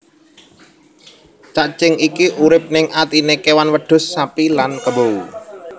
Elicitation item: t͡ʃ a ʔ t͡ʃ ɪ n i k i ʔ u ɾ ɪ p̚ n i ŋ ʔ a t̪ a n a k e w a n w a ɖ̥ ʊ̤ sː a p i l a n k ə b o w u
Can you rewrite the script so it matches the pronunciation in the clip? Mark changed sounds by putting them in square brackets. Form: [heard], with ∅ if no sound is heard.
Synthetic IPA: t͡ʃ a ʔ t͡ʃ ɪ [ŋ] i k i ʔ u ɾ ɪ p̚ n [ɪ] ŋ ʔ a t̪ [i] n [e] k e w a n w [ə] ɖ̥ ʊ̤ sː a p i l a n k ə b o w u

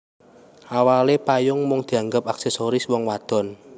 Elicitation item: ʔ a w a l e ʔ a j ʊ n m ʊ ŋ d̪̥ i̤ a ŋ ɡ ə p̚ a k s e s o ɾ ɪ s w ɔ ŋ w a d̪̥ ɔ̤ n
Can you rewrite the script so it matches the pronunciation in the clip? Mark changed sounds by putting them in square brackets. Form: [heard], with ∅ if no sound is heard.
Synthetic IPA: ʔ a w a l e [p] a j ʊ [ŋ] m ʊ ŋ d̪̥ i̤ a ŋ ɡ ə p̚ a k s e s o ɾ ɪ s w ɔ ŋ w a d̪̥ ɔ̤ n

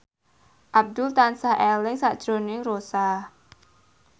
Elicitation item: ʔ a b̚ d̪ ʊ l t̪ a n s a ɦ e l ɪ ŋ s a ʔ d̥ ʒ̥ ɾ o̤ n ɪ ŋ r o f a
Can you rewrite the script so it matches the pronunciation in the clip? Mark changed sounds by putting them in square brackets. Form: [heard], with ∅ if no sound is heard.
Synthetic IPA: ʔ a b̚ d̪ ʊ l t̪ a n s a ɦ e l ɪ ŋ s a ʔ d̥ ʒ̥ ɾ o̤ n ɪ ŋ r o [s] a

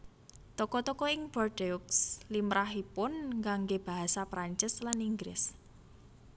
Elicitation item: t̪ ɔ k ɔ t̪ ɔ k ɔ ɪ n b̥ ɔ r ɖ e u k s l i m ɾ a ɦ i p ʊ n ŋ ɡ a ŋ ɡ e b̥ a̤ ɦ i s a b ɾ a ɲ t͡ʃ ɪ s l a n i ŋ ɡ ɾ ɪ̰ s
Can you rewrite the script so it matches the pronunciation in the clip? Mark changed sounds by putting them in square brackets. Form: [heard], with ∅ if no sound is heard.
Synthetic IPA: t̪ ɔ k ɔ t̪ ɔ k ɔ ɪ [ŋ] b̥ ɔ r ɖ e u k s l i m ɾ a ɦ i p ʊ n ŋ ɡ a ŋ ɡ e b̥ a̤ ɦ [a] s a [p] ɾ a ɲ t͡ʃ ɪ s l a n i ŋ ɡ ɾ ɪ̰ s

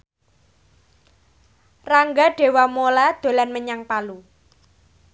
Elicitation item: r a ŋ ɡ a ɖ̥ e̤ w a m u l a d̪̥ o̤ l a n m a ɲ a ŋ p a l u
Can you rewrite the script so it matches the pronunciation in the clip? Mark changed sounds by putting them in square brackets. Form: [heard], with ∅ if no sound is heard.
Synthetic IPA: r a ŋ ɡ a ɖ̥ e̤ w a m [o] l a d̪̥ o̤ l a n m [ə] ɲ a ŋ p a l u

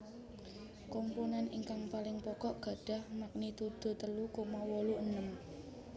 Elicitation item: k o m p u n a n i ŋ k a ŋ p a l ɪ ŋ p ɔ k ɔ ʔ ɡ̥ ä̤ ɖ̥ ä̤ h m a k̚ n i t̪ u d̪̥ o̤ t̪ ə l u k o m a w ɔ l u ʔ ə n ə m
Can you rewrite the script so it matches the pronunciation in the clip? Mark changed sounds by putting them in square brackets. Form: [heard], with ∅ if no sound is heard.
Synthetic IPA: k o m p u n a n i ŋ k a ŋ p a l ɪ ŋ p ɔ k ɔ ʔ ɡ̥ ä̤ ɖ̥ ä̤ h m a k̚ n i t̪ u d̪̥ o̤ t̪ ə l u k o m a w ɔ l u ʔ ə n ə m

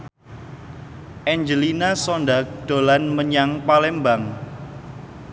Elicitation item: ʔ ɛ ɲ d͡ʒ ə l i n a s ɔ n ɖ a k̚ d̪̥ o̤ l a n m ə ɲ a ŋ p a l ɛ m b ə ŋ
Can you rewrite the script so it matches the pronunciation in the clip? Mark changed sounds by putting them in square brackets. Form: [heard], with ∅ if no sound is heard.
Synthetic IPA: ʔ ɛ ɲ d͡ʒ ə l i n a s ɔ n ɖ a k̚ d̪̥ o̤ l a n m ə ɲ a ŋ p a l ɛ m b [a] ŋ

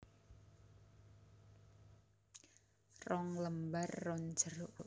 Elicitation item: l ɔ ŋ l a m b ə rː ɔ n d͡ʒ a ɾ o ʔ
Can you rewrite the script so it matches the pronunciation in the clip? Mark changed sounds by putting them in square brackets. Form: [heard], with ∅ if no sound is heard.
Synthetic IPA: [r] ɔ ŋ l [ə] m b [a] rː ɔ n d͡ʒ [ə] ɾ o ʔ

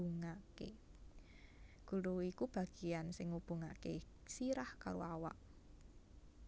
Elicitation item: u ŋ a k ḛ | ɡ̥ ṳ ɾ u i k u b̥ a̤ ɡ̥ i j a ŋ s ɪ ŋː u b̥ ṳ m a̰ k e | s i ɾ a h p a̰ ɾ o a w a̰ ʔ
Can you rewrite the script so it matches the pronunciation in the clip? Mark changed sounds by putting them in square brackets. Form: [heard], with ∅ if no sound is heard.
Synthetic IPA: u ŋ a k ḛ | ɡ̥ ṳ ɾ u i k u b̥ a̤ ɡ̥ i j a [n] s ɪ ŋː u b̥ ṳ [ŋ] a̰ k e | s i ɾ a h [k] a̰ ɾ o a w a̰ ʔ

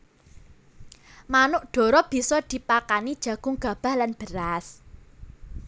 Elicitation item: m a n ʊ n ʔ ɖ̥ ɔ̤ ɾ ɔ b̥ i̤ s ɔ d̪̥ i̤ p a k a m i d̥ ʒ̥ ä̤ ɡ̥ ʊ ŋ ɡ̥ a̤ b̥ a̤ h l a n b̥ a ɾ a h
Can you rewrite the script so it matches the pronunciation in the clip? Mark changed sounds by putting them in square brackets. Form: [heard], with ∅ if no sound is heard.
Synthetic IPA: m a n ʊ [∅] ʔ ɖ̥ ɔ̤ ɾ ɔ b̥ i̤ s ɔ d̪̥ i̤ p a k a [n] i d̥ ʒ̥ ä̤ ɡ̥ ʊ ŋ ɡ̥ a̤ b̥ a̤ h l a n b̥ [ə] ɾ a [s]

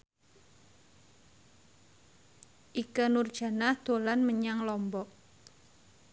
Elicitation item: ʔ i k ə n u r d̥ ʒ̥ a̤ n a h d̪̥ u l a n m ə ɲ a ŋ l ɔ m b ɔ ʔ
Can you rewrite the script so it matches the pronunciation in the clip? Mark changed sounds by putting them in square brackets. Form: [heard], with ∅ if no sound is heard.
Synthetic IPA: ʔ i k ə n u r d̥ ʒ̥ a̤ n a h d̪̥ [o] l a n m ə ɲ a ŋ l ɔ m b ɔ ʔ

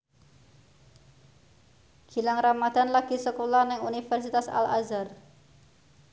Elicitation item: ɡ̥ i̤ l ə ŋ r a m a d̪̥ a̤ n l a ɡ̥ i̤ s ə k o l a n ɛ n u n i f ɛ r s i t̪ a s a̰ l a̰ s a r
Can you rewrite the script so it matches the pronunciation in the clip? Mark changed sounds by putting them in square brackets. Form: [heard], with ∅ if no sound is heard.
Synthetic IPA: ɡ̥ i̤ l [a] ŋ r a m a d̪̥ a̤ n l a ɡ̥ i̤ s ə k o l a n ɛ [ŋ] u n i f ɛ r s i t̪ a s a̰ l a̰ [z] a r

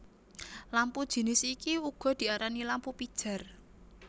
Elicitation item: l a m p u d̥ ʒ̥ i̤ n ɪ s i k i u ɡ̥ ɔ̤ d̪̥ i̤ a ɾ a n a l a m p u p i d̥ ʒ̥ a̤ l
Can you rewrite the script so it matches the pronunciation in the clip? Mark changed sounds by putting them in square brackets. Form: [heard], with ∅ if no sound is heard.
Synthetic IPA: l a m p u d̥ ʒ̥ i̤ n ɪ s i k i u ɡ̥ ɔ̤ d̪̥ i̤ a ɾ a n [i] l a m p u p i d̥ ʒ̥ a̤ [r]

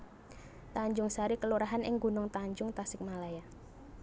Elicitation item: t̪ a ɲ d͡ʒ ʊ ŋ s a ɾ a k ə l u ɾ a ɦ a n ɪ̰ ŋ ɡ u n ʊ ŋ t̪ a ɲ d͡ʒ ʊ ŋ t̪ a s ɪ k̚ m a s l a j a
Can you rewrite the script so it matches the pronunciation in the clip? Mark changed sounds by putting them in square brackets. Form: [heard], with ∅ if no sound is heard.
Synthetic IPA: t̪ a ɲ d͡ʒ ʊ ŋ s a ɾ [i] k ə l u ɾ a ɦ a n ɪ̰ ŋ ɡ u n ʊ ŋ t̪ a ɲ d͡ʒ ʊ ŋ t̪ a s ɪ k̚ m a [∅] l a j a

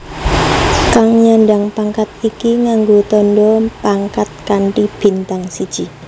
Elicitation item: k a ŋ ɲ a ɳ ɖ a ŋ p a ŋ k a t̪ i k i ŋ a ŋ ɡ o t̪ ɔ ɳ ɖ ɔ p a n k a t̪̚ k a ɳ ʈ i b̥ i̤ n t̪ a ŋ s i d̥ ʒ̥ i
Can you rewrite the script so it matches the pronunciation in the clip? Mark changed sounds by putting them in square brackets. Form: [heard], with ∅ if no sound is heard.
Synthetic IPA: k a ŋ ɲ a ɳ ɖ a ŋ p a ŋ k a t̪ i k i ŋ a ŋ ɡ o t̪ ɔ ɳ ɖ ɔ p a [ŋ] k a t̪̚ k a ɳ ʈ i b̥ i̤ n t̪ a ŋ s i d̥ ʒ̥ i

